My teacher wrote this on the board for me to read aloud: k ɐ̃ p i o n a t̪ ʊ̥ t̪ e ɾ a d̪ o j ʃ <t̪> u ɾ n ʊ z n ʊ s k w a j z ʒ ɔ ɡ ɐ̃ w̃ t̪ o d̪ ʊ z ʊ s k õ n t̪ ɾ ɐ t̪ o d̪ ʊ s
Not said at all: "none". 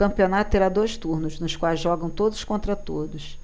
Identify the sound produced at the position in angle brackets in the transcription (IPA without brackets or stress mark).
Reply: t̪